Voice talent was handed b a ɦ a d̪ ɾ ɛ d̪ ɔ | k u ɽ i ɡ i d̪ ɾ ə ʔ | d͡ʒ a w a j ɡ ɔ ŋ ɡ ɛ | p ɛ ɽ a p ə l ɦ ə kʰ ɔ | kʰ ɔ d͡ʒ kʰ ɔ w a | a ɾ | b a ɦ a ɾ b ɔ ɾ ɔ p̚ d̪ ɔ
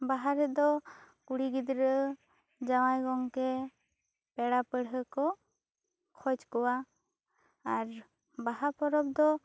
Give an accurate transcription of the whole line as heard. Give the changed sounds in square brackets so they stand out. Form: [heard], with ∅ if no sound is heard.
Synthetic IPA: b a ɦ a [∅] ɾ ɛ d̪ ɔ | k u ɽ i ɡ i d̪ ɾ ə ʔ | d͡ʒ a w a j ɡ ɔ ŋ [k] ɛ | p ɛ ɽ a p ə [ɽ] ɦ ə [k] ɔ | kʰ ɔ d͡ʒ [k] ɔ w a | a ɾ | b a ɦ a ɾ [p] ɔ ɾ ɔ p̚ d̪ ɔ